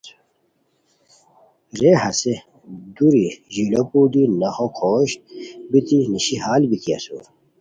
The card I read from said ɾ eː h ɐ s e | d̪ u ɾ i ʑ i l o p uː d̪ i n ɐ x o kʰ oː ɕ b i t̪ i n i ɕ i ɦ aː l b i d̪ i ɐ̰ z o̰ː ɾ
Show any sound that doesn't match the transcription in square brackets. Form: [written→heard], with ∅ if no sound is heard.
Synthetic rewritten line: ɾ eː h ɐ s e | d̪ u ɾ i ʑ i l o p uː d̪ i n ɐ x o kʰ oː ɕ b i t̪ i n i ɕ i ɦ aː l b i [d̪→t̪] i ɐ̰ [z→s] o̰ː ɾ